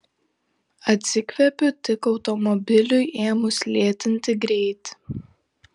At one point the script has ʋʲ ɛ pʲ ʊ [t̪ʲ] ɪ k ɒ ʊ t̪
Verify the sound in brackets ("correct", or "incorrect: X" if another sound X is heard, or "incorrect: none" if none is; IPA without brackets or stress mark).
correct